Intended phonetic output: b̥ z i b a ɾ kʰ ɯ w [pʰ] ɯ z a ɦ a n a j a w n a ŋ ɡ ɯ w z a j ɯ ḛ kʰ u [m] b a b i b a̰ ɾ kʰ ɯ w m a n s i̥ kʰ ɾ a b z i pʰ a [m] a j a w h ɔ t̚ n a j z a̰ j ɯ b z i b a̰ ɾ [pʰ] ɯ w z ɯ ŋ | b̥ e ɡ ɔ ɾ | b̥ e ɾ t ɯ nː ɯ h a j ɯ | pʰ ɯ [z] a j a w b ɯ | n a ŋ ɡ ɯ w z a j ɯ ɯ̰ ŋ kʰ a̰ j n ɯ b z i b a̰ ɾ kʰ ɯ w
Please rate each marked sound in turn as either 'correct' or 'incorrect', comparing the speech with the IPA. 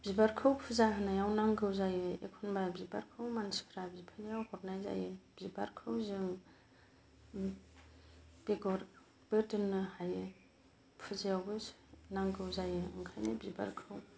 correct, incorrect, incorrect, incorrect, correct

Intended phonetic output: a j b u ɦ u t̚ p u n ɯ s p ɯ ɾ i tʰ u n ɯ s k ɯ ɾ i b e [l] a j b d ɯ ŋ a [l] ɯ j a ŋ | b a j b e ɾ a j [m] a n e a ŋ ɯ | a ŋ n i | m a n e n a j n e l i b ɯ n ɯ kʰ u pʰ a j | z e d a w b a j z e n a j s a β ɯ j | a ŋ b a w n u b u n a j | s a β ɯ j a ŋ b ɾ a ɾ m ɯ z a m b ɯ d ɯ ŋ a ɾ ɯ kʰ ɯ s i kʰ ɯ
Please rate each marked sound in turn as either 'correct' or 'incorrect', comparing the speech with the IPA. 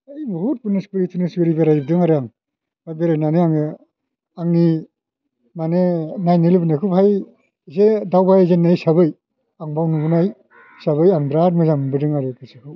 incorrect, incorrect, incorrect

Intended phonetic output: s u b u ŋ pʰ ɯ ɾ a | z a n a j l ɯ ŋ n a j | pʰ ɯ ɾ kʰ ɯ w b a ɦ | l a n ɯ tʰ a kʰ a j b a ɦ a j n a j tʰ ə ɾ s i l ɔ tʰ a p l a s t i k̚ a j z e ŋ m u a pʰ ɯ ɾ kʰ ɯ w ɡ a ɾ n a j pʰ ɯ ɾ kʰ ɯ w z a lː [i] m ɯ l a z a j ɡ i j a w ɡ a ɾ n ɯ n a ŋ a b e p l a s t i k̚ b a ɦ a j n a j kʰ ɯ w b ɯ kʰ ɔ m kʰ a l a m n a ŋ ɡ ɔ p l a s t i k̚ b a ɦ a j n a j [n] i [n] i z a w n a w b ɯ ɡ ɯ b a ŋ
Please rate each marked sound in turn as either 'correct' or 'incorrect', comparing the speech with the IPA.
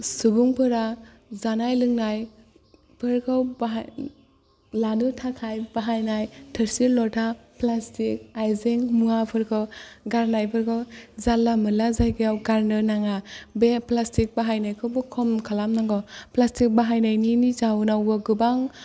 incorrect, correct, correct

